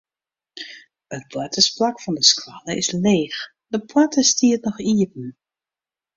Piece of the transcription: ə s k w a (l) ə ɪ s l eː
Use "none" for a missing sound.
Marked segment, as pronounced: l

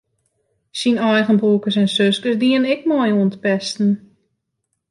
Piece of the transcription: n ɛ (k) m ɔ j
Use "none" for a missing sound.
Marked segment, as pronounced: k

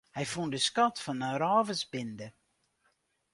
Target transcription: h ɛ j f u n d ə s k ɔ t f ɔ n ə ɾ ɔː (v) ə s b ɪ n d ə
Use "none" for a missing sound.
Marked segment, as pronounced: v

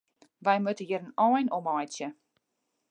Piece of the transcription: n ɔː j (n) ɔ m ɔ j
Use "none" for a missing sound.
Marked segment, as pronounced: n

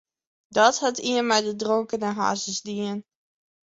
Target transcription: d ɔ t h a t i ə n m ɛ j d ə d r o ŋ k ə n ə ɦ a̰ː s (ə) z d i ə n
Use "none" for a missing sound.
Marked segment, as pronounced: ə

